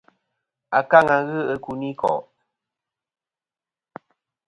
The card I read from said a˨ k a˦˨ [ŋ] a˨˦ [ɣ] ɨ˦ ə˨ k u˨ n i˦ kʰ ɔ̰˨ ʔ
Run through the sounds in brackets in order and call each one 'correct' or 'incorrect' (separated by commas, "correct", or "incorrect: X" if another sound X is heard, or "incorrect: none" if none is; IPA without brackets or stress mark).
correct, correct